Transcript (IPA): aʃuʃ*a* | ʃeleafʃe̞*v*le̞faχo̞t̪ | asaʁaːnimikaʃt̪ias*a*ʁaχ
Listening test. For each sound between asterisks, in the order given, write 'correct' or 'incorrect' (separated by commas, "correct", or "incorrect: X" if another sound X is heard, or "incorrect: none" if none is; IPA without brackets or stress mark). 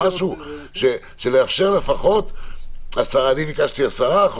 incorrect: e, incorrect: ʁ, correct